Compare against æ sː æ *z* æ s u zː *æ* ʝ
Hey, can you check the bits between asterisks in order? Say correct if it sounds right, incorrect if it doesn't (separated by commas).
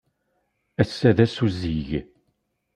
incorrect, incorrect